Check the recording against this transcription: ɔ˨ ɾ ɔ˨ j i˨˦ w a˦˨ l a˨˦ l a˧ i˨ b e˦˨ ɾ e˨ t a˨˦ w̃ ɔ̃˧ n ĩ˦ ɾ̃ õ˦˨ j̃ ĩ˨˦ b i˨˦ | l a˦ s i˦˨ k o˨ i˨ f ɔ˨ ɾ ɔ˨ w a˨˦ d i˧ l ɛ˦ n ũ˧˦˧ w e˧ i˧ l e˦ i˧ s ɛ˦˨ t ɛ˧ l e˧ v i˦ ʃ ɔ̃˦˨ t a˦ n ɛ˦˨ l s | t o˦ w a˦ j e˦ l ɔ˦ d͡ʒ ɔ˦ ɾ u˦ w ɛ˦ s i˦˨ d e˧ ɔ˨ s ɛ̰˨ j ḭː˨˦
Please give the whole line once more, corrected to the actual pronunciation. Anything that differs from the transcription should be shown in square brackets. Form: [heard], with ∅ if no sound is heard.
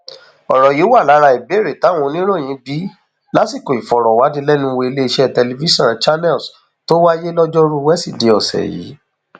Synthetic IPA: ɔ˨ ɾ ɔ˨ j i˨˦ w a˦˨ l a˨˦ [ɾ] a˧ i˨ b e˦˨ ɾ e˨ t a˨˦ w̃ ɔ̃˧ n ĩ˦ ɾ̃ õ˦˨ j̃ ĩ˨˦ b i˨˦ | l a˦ s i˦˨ k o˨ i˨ f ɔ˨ ɾ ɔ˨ w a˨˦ d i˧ l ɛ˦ n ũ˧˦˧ w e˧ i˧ l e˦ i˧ [ʃ] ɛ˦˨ t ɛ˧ l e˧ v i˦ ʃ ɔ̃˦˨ [t͡ʃ] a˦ n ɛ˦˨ l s | t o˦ w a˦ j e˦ l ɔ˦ d͡ʒ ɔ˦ ɾ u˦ w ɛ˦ s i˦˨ d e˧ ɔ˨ s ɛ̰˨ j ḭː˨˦